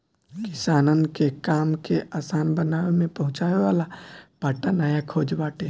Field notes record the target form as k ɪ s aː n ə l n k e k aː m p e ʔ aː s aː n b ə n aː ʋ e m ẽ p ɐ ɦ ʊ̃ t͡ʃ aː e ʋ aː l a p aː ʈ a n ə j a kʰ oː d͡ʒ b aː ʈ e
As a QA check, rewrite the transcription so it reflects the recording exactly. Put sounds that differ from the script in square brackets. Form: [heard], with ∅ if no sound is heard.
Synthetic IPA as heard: k ɪ s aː n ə [∅] n k e k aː m [k] e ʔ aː s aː n b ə n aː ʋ e m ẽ p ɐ ɦ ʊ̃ t͡ʃ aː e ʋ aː l a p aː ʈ a n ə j a kʰ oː d͡ʒ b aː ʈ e